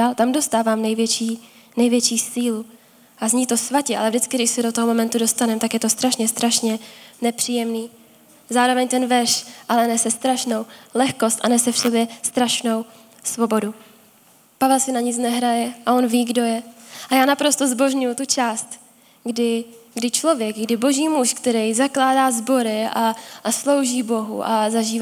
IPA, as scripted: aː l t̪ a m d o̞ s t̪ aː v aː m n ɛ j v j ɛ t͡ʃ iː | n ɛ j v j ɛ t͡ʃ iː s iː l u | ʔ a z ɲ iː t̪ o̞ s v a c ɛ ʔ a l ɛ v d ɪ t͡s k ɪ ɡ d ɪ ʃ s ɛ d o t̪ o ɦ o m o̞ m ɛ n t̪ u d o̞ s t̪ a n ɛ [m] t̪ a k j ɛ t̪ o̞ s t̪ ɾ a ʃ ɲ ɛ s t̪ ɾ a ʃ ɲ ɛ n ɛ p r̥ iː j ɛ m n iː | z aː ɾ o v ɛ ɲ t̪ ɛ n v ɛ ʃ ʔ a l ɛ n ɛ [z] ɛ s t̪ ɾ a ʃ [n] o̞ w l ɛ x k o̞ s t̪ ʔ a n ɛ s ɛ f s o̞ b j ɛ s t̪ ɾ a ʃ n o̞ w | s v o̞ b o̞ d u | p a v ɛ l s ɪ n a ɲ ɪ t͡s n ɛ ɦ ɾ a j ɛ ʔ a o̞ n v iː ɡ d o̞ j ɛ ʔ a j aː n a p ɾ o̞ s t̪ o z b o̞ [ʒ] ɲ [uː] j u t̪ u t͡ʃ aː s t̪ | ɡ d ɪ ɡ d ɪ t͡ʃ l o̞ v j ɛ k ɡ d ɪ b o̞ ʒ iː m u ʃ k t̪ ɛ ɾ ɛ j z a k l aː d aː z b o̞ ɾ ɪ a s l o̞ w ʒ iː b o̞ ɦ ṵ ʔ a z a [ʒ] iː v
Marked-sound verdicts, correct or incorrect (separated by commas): correct, incorrect, correct, correct, incorrect, correct